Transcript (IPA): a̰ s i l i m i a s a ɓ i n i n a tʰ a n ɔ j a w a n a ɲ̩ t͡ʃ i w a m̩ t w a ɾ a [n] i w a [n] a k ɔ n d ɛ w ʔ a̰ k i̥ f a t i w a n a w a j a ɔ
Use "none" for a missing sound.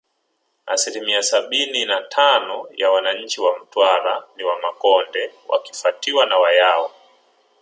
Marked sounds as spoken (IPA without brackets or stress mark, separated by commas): n, m